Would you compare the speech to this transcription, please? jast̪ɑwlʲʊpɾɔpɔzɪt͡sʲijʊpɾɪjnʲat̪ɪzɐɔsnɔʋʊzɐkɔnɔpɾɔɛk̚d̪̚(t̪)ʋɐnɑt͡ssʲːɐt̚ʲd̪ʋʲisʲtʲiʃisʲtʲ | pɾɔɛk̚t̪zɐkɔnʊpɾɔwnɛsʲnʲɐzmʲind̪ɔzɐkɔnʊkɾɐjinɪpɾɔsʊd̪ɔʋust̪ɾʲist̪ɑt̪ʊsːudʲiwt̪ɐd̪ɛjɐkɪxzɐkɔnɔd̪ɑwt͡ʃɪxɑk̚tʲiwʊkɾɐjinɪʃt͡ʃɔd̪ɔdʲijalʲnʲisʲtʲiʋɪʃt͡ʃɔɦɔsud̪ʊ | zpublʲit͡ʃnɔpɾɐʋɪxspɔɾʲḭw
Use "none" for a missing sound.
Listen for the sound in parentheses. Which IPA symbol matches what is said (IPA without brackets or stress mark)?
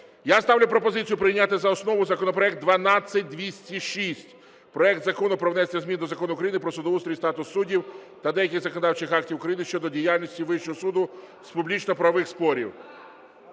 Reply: d̪